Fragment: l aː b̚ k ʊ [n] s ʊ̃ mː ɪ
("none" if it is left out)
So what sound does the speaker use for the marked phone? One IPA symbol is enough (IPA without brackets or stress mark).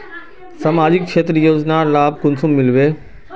n